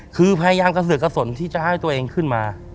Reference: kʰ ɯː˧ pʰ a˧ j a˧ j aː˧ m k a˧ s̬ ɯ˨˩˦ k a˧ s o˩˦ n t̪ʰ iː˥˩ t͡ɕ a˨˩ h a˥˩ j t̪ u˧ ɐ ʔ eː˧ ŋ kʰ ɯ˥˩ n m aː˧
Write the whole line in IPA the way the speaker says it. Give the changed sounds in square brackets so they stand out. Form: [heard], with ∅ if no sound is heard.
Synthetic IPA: kʰ ɯː˧ pʰ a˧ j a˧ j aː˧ m k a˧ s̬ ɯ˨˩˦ k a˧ s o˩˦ n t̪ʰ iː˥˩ t͡ɕ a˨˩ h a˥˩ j t̪ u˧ ɐ ʔ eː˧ ŋ kʰ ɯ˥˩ n m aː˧